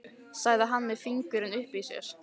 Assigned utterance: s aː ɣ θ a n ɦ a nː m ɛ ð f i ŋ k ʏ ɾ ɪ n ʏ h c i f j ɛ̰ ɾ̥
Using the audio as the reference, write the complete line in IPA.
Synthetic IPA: s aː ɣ ð a ɦ a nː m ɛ ð f i ŋ k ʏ ɾ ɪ n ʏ h p i s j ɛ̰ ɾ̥